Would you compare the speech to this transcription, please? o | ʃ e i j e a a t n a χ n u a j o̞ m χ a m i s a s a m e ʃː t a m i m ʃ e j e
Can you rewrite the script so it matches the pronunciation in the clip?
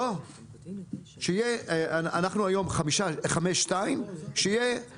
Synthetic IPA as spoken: o | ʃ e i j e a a n a χ n u a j o̞ m χ a m i ʃ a χ a m e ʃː t a i m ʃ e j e